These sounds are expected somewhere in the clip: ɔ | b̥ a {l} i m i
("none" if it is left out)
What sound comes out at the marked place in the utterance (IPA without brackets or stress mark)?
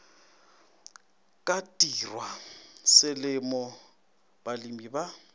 l